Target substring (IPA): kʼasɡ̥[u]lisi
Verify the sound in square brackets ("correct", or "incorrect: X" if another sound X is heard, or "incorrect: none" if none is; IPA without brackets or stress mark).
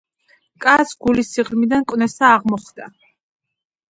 correct